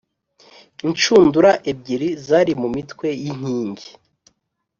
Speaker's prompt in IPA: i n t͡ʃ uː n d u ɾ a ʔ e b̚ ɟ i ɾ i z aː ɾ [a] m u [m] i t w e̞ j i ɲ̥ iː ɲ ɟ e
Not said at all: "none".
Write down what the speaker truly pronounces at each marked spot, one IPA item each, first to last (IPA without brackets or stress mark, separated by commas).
i, m